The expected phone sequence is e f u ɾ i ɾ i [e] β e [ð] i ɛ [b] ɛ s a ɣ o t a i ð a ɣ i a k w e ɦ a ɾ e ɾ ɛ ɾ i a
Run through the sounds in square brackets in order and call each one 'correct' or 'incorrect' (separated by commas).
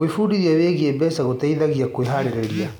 incorrect, incorrect, correct